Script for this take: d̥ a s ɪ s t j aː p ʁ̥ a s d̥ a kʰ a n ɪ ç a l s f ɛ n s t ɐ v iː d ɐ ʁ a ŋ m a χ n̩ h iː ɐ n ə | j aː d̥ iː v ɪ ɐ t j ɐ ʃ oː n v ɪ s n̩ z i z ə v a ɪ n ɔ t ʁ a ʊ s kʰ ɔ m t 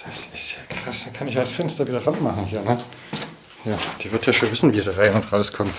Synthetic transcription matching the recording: d̥ a s ɪ s t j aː k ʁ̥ a s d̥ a kʰ a n ɪ ç a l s f ɛ n s t ɐ v iː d ɐ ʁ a n m a χ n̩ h iː ɐ n ə | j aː d̥ iː v ɪ ɐ t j a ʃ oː n v ɪ s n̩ v i z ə ʁ a ɪ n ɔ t ʁ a ʊ s kʰ ɔ m t